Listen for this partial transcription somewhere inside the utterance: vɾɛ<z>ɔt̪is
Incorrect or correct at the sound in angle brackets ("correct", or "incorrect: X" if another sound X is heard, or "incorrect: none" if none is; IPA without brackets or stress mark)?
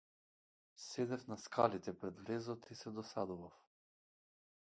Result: correct